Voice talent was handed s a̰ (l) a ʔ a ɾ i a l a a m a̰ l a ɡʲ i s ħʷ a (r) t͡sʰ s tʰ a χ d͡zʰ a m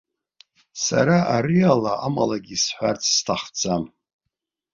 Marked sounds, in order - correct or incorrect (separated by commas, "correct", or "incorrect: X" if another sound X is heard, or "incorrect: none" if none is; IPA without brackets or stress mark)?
incorrect: ɾ, correct